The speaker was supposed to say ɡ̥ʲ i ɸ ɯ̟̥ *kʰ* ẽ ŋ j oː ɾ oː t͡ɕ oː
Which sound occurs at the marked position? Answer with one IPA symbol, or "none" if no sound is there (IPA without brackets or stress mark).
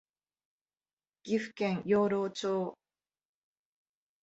k